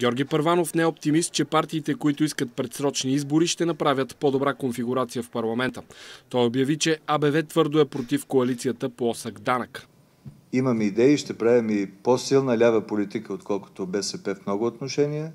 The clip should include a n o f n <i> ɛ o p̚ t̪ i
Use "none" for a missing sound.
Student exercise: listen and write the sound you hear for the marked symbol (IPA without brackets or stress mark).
ɛ